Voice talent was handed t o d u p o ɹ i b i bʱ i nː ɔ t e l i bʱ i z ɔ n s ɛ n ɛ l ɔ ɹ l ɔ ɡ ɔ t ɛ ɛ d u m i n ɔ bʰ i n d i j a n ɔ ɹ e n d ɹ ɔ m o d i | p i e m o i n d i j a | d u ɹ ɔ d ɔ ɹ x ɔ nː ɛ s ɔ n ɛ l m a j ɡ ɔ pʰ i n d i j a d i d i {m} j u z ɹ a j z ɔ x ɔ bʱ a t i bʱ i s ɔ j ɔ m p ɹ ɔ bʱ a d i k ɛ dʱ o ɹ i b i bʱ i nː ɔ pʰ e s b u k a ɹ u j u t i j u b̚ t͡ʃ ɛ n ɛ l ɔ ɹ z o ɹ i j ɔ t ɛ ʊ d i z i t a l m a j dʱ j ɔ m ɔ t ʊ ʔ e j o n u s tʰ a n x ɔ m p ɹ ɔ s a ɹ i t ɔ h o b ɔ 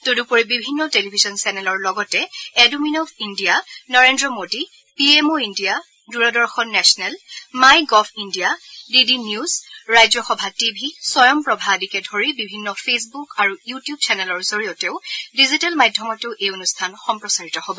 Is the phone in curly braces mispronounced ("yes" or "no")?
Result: yes